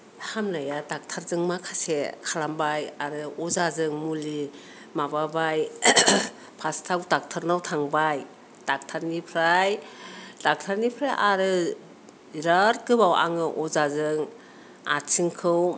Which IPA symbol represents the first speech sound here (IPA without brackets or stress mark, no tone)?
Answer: h